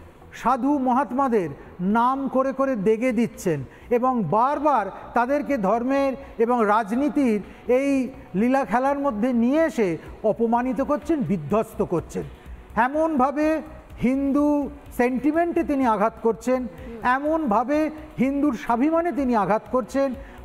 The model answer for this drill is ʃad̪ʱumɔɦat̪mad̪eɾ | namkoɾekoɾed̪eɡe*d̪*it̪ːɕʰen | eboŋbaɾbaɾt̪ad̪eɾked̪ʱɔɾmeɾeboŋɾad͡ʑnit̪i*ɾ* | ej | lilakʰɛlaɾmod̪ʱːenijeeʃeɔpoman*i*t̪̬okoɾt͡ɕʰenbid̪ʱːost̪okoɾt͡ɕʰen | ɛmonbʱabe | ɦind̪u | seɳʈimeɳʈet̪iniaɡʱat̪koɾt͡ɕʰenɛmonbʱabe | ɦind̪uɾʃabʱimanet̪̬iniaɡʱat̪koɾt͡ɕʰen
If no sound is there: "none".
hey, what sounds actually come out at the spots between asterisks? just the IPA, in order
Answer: d̪, ɾ, i

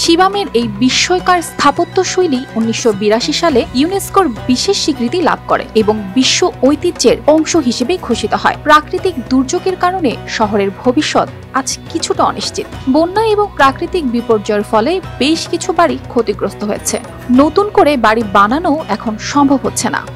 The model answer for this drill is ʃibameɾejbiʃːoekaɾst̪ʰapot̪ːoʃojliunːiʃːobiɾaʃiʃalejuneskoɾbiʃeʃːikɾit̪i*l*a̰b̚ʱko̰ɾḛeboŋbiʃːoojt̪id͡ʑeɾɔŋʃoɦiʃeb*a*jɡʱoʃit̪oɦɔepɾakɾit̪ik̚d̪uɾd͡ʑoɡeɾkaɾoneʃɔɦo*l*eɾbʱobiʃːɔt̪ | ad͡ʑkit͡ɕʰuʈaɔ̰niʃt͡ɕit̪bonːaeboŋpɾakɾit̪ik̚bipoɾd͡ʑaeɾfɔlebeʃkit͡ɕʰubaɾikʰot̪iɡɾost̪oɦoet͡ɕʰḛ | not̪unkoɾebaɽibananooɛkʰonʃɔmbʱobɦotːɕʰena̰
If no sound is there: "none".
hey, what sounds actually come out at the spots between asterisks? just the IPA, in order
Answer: l, e, ɾ

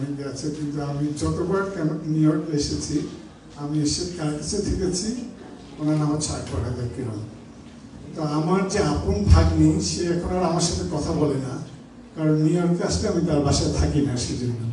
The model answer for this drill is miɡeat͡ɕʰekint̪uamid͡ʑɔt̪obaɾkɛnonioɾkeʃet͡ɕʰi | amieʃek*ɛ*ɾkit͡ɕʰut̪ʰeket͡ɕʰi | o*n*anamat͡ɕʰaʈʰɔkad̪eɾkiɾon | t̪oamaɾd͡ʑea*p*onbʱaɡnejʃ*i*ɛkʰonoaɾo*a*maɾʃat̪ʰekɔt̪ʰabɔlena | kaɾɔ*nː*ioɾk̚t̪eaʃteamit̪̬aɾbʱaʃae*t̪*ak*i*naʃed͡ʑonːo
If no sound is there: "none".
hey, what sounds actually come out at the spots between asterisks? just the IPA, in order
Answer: a, n, p, e, a, nː, t̪ʰ, i

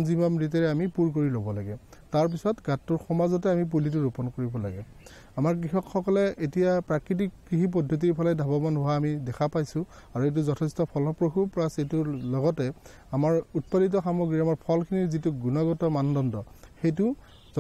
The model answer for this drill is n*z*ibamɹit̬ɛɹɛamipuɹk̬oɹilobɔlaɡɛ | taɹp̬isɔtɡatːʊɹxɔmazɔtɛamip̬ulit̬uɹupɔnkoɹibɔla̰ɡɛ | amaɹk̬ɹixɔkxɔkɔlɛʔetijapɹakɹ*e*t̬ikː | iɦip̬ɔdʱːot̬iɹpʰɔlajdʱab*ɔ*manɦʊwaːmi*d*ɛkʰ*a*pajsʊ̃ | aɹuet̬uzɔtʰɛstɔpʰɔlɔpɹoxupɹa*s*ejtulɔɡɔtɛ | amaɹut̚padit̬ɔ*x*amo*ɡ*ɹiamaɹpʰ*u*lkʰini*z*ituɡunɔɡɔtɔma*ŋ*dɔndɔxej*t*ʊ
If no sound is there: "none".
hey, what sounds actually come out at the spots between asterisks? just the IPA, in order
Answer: z, i, ɔ, d, a, s, x, ɡ, ɔ, z, n, t

